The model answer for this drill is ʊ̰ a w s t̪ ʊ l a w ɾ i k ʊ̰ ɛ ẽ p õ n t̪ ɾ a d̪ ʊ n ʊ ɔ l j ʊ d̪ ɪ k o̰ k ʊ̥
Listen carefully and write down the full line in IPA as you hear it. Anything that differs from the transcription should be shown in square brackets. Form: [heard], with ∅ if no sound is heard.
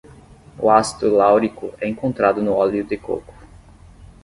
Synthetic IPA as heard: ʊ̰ a [∅] s t̪ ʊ l a w ɾ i k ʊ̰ ɛ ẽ [k] õ n t̪ ɾ a d̪ ʊ n ʊ ɔ l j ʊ d̪ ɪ k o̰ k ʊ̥